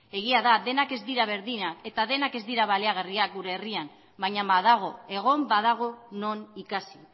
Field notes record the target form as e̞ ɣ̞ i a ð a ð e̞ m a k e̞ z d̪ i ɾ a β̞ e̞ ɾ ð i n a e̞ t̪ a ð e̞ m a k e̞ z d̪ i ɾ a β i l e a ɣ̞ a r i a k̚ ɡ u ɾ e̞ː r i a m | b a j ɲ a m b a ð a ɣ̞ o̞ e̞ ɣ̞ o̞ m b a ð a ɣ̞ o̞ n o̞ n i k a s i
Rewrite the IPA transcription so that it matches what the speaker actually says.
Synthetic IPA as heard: e̞ ɣ̞ i a ð a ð e̞ n a k e̞ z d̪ i ɾ a β̞ e̞ ɾ ð i n a e̞ t̪ a ð e̞ n a k e̞ z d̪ i ɾ a β a l e a ɣ̞ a r i a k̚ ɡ u ɾ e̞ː r i a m | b a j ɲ a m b a ð a ɣ̞ o̞ e̞ ɣ̞ o̞ m b a ð a ɣ̞ o̞ n o̞ n i k a s i

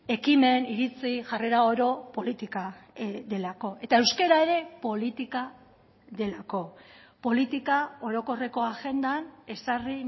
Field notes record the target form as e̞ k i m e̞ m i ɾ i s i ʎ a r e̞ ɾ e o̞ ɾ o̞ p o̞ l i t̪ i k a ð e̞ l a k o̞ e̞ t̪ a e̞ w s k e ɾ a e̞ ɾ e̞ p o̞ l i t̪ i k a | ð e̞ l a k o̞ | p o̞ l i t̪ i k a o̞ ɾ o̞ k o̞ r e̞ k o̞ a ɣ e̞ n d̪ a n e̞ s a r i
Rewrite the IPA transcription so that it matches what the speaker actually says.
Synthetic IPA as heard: e̞ k i m e̞ n i ɾ i t͡s i ʝ a r e̞ ɾ a o̞ ɾ o̞ p o̞ l i t̪ i k a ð e̞ l a k o̞ e̞ t̪ a e̞ w s k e ɾ a e̞ ɾ e̞ p o̞ l i t̪ i k a | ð e̞ l a k o̞ | p o̞ l i t̪ i k a o̞ ɾ o̞ k o̞ r e̞ k o̞ a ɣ e̞ n d̪ a n e̞ s a r i

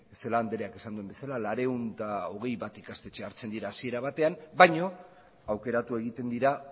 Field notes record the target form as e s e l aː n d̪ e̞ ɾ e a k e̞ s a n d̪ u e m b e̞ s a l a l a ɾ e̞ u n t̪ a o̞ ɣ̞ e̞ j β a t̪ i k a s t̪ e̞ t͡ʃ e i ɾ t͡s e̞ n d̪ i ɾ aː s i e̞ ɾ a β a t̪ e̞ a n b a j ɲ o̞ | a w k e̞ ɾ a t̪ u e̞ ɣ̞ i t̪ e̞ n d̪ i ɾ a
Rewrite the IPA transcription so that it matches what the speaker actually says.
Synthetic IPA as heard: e s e l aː n d̪ e̞ ɾ e a k e̞ s a n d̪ u e m b e̞ s a l a l a ɾ e̞ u n t̪ a o̞ ɣ̞ e̞ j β a t̪ i k a s t̪ e̞ t͡ʃ e a ɾ t͡s e̞ n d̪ i ɾ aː s i e̞ ɾ a β a t̪ e̞ a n b a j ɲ o̞ | a w k e̞ ɾ a t̪ u e̞ ɣ̞ i t̪ e̞ n d̪ i ɾ a

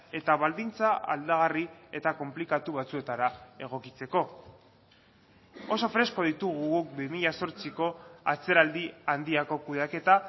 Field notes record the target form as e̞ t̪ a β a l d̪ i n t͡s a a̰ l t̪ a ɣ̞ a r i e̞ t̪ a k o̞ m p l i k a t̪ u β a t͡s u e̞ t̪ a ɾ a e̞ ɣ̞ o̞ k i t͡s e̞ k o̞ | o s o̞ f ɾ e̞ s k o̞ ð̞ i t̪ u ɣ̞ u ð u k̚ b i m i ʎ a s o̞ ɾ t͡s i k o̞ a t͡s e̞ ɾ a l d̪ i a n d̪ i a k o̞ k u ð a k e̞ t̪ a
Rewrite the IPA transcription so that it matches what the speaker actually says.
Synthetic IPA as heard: e̞ t̪ a β a l d̪ i n t͡s a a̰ l d̪ a ɣ̞ a r i e̞ t̪ a k o̞ m p l i k a t̪ u β a t͡s u e̞ t̪ a ɾ a e̞ ɣ̞ o̞ k i t͡s e̞ k o̞ | o s o̞ f ɾ e̞ s k o̞ ð̞ i t̪ u ɣ̞ u ɣ u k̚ b i m i ʎ a s o̞ ɾ t͡s i k o̞ a t͡s e̞ ɾ a l d̪ i a n d̪ i a k o̞ k u ð a k e̞ t̪ a

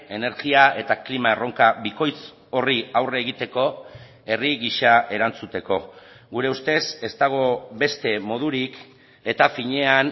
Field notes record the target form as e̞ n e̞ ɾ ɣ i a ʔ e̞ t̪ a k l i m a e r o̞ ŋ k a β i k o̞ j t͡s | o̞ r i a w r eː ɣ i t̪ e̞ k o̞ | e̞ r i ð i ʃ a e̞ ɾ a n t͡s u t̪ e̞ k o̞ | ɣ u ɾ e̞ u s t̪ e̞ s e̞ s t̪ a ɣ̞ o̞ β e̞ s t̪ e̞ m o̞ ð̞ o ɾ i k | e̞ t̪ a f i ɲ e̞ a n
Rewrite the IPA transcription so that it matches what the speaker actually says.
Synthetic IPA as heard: e̞ n e̞ ɾ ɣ i a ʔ e̞ t̪ a k l i m a e r o̞ ŋ k a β i k o̞ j t͡s | o̞ r i a w r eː ɣ i t̪ e̞ k o̞ | e̞ r i ɣ i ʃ a e̞ ɾ a n t͡s u t̪ e̞ k o̞ | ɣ u ɾ e̞ u s t̪ e̞ s e̞ s t̪ a ɣ̞ o̞ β e̞ s t̪ e̞ m o̞ ð̞ u ɾ i k | e̞ t̪ a f i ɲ e̞ a n

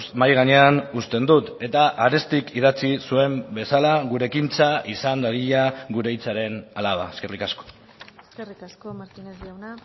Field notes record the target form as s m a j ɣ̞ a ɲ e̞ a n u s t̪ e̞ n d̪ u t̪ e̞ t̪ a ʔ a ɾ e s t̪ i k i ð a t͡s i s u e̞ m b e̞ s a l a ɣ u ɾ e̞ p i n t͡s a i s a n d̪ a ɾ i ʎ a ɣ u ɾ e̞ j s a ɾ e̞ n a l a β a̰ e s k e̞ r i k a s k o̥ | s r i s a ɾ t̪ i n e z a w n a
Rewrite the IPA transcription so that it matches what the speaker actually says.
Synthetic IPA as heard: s m a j ɣ̞ a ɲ e̞ a n u s t̪ e̞ n d̪ u t̪ e̞ t̪ a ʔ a ɾ e s t̪ i k i ð a t͡s i s u e̞ m b e̞ s a l a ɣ u ɾ e̞ k i n t͡s a i s a n d̪ a ɾ i ʎ a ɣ u ɾ e̞ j t͡s a ɾ e̞ n a l a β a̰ e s k e̞ r i k a s k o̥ | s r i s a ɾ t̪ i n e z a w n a

